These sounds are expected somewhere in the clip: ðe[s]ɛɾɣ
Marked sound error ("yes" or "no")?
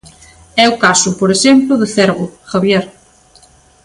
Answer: yes